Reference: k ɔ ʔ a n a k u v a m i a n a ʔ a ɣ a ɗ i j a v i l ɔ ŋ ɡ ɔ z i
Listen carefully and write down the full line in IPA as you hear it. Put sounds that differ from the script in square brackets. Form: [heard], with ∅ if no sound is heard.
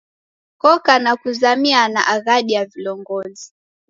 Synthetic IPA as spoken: k ɔ [k] a n a k u [z] a m i a n a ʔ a ɣ a ɗ i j a v i l ɔ ŋ ɡ ɔ z i